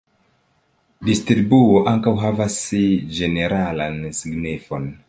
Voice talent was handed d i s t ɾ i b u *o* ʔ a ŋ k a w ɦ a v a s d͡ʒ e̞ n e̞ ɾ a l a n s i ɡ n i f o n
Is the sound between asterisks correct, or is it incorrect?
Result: correct